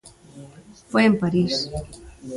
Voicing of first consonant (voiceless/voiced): voiceless